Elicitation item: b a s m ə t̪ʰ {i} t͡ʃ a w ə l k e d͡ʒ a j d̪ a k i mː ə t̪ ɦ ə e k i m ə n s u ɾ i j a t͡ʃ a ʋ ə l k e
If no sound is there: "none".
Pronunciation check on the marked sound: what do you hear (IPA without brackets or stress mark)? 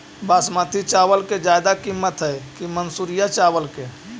i